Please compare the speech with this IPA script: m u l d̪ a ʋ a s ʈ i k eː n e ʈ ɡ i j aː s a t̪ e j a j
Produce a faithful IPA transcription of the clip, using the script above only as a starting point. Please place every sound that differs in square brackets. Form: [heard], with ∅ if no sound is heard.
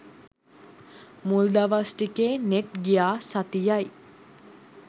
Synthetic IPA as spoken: m u l d̪ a ʋ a s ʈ i k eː n e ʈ ɡ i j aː s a t̪ [i] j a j